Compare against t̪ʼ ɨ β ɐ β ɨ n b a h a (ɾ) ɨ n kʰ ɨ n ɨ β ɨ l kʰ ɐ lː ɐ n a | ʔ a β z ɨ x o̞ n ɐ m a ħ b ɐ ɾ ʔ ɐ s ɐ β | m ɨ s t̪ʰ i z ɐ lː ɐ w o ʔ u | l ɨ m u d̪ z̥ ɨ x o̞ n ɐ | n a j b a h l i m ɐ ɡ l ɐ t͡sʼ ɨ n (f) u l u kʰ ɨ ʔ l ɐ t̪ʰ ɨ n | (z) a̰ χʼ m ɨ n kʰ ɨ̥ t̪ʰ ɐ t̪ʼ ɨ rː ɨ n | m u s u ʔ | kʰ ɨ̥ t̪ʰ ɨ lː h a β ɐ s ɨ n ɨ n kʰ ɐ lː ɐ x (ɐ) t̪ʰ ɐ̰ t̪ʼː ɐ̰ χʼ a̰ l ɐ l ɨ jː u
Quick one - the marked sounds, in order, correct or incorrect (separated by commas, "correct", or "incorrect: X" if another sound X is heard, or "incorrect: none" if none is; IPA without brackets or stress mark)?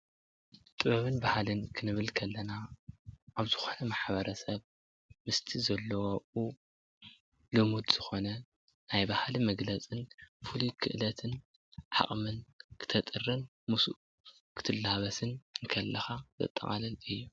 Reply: incorrect: l, correct, incorrect: ʕ, incorrect: a